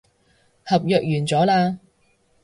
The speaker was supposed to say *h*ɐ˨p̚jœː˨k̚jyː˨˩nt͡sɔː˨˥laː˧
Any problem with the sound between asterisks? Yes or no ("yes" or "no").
no